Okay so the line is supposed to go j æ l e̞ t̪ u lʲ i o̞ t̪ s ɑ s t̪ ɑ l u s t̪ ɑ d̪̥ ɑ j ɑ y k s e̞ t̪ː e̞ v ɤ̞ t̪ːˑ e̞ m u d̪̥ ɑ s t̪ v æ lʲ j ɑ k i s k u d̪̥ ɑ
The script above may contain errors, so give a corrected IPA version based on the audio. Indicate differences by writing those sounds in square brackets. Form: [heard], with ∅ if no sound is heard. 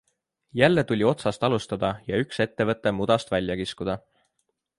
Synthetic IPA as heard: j æ [lː] e̞ t̪ u lʲ i o̞ t̪ s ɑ s t̪ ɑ l u s t̪ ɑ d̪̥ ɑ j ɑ y k s e̞ t̪ː e̞ v ɤ̞ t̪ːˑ e̞ m u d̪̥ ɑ s t̪ v æ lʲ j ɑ k i s k u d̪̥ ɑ